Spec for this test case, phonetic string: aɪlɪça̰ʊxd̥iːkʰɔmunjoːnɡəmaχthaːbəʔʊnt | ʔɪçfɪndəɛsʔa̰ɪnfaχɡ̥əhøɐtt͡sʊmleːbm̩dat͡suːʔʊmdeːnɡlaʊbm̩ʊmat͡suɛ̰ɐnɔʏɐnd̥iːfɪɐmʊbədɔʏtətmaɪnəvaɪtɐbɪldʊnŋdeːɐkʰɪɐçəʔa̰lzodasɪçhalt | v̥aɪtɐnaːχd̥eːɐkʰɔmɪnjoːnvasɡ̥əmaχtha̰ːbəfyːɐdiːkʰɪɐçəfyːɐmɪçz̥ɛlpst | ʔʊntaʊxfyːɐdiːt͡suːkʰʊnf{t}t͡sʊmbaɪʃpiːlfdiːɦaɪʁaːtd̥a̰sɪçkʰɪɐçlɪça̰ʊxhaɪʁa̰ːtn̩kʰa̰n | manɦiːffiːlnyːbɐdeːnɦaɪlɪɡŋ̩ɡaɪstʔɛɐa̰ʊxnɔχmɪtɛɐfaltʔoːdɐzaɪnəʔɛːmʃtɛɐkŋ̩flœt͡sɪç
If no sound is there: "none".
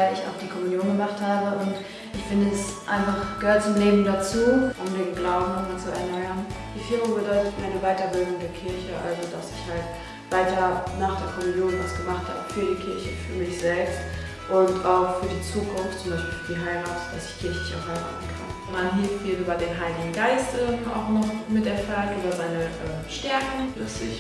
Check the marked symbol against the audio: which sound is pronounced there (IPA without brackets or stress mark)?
t